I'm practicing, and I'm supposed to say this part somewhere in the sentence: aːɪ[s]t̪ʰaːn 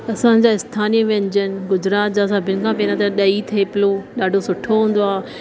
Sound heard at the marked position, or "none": s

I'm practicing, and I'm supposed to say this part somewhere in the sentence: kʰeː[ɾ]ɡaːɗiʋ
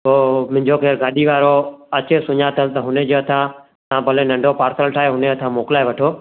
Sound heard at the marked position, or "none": ɾ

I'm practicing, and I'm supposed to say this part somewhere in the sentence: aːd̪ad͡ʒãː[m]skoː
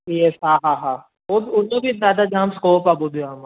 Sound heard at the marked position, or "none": m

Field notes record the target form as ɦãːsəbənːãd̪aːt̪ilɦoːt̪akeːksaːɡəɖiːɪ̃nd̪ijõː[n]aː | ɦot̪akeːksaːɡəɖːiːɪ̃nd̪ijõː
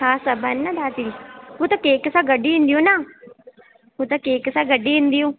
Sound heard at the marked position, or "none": n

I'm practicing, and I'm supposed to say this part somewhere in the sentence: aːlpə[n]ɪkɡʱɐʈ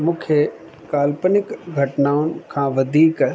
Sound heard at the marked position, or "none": n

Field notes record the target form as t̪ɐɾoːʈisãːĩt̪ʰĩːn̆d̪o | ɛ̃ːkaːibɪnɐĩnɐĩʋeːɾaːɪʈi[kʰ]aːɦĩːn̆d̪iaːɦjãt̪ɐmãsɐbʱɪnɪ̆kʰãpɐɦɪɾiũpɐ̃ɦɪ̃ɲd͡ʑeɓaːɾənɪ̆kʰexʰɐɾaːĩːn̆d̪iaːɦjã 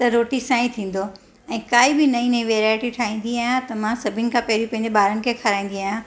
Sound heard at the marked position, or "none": ʈʰ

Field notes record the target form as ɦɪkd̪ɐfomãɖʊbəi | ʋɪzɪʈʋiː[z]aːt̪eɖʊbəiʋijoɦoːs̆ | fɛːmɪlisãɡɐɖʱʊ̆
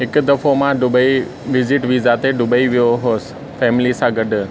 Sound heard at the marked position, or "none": z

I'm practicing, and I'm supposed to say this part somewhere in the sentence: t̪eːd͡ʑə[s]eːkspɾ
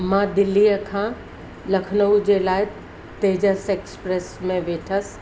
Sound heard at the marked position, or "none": s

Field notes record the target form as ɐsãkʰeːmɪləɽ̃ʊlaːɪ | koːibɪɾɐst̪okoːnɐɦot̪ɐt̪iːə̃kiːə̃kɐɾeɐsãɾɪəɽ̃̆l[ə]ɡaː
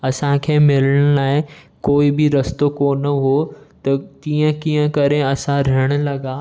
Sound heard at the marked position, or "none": ɐ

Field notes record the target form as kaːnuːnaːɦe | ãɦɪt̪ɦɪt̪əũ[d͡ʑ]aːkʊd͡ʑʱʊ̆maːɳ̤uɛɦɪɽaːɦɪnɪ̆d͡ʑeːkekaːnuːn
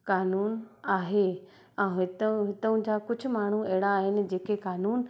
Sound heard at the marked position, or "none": d͡ʑ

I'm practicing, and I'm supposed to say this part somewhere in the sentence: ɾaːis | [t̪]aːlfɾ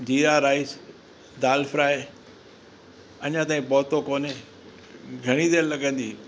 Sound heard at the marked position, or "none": d̪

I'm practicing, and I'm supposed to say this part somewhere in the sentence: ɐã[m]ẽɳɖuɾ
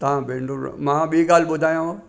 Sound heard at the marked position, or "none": b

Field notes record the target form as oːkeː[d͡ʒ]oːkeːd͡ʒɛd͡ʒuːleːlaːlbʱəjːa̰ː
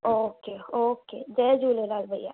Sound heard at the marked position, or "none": none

